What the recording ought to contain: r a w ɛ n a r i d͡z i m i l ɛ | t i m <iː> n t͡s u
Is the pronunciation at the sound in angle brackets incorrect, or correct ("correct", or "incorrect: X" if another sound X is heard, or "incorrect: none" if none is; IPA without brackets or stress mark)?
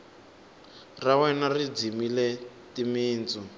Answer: correct